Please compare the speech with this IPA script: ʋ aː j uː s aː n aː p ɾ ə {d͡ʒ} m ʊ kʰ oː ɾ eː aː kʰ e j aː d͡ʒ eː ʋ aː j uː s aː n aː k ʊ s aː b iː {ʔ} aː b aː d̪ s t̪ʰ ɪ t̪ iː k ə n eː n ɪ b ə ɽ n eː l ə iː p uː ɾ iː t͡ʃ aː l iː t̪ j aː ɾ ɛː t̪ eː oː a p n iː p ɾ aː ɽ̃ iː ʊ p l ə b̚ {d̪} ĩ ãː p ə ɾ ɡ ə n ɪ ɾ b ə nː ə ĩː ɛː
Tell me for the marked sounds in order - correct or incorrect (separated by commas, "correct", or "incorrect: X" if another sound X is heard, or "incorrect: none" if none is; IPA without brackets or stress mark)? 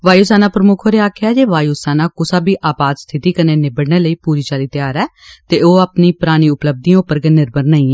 incorrect: none, correct, correct